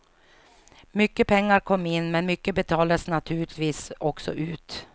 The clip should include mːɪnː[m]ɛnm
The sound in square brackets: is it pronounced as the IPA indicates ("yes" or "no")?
yes